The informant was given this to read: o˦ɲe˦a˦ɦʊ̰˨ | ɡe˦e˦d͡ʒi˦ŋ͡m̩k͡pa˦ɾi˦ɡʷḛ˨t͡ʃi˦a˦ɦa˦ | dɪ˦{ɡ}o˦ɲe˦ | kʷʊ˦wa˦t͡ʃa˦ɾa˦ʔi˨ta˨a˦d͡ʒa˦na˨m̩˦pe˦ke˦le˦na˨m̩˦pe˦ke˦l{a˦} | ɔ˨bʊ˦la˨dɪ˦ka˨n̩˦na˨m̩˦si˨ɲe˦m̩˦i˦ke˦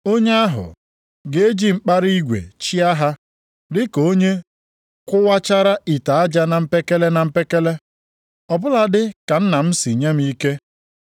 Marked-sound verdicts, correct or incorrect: incorrect, incorrect

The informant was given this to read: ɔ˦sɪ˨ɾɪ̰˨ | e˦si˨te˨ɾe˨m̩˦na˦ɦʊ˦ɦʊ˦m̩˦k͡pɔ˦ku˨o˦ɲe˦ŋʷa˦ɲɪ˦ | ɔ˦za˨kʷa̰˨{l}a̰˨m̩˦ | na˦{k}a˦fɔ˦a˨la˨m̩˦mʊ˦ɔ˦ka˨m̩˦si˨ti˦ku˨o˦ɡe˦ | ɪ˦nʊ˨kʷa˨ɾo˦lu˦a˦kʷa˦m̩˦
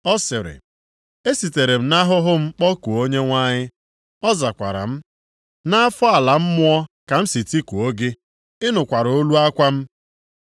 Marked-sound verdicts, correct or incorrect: incorrect, incorrect

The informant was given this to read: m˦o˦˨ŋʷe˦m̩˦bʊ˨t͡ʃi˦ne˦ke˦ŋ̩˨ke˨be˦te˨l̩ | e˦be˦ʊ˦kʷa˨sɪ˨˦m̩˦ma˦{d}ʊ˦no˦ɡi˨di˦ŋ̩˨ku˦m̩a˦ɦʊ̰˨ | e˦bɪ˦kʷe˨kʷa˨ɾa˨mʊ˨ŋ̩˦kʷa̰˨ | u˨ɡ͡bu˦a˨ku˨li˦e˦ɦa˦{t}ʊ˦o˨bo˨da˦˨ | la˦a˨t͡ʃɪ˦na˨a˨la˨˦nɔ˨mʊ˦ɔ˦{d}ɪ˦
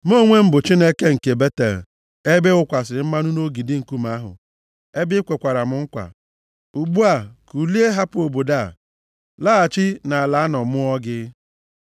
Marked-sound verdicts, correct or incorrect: incorrect, incorrect, incorrect

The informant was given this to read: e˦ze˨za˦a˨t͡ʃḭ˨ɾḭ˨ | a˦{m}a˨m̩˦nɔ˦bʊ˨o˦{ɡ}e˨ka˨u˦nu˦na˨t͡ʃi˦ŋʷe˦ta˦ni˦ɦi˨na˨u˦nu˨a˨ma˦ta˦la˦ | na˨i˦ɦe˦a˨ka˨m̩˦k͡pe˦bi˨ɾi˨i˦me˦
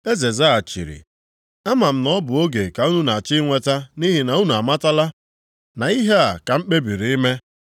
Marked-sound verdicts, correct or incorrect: correct, correct

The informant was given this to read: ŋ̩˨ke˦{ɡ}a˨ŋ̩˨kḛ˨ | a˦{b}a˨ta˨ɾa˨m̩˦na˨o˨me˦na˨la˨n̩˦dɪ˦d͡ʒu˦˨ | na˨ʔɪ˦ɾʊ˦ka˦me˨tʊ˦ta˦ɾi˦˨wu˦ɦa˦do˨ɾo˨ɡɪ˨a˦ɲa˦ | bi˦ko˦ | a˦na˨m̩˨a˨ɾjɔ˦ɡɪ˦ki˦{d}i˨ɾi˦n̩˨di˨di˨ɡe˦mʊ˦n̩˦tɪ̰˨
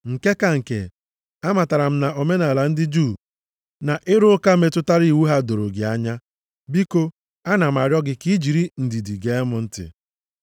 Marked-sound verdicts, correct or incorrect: incorrect, incorrect, incorrect

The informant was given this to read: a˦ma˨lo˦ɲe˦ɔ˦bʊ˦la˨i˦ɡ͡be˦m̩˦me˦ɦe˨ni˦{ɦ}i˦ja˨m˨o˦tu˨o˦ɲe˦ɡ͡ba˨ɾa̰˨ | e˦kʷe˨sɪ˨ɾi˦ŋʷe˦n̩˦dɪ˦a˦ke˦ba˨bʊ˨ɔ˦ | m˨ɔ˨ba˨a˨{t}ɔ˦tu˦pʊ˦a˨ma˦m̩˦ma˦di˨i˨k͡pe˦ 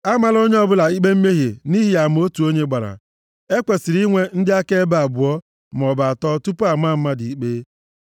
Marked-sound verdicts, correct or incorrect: correct, correct

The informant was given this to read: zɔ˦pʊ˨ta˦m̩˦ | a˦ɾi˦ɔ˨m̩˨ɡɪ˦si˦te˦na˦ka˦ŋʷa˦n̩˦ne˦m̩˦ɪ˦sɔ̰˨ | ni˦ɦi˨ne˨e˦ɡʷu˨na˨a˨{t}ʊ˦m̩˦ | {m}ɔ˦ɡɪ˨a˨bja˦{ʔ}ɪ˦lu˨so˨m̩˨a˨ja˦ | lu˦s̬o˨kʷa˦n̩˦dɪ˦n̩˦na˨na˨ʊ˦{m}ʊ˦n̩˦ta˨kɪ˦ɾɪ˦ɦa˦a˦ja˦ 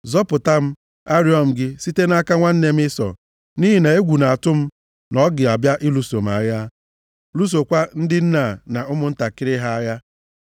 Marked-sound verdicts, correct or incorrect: correct, incorrect, correct, correct

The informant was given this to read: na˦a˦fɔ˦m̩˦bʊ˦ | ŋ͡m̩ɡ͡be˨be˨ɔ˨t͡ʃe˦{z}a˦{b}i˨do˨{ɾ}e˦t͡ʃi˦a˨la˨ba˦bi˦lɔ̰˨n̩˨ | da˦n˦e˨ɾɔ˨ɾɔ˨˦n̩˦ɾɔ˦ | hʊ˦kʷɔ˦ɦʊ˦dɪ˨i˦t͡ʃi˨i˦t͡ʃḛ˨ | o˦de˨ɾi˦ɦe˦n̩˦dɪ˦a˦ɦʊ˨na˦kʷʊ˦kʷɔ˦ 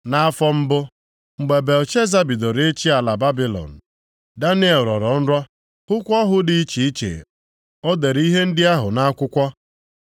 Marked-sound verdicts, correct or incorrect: correct, correct, correct

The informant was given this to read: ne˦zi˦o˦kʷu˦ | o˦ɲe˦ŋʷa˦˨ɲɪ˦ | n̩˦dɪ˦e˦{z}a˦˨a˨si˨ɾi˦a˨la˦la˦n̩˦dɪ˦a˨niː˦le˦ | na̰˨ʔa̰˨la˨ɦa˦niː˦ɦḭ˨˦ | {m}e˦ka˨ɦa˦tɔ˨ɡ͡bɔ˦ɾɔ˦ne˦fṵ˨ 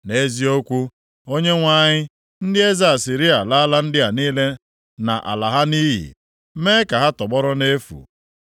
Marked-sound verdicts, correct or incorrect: correct, correct

